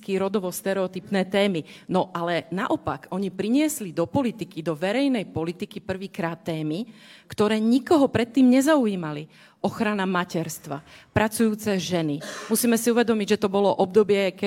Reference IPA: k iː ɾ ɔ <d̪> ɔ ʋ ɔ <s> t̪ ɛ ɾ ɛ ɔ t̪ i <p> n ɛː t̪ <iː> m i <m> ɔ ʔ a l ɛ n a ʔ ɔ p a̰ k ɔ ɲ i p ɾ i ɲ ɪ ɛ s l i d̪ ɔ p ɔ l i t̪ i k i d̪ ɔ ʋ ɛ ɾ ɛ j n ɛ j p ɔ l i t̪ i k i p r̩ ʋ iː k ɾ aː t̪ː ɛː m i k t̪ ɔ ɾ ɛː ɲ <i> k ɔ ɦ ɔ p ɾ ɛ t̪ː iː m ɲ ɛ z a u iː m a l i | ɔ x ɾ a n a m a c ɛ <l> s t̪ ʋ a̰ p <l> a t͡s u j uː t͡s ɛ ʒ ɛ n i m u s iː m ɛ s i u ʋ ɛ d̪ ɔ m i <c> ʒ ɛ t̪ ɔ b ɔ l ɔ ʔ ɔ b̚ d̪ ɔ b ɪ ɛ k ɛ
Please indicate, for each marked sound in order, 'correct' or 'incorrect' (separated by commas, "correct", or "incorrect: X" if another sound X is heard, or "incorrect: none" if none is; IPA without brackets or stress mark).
correct, correct, correct, incorrect: ɛː, incorrect: n, correct, incorrect: ɾ, incorrect: ɾ, incorrect: ɟ